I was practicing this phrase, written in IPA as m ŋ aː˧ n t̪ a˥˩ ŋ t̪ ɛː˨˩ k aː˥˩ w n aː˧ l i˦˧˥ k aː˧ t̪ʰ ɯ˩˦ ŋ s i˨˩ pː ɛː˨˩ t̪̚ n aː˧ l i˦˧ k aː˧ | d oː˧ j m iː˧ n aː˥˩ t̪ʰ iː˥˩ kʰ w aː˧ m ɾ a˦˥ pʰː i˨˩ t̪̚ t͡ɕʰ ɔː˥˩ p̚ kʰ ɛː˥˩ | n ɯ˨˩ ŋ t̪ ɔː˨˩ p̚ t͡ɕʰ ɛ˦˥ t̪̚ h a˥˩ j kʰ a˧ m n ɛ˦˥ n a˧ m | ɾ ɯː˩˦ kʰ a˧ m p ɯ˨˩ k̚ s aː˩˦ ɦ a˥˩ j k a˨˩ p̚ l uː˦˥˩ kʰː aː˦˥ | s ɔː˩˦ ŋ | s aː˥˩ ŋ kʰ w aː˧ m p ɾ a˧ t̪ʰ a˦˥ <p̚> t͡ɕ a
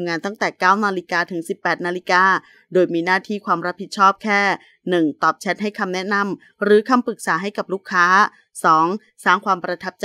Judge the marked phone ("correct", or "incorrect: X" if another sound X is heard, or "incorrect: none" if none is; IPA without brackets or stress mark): correct